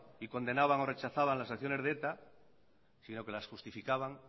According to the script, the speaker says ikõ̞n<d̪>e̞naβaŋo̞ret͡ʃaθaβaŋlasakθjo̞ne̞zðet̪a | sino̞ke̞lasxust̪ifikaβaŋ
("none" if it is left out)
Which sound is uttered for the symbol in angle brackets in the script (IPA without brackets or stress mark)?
d̪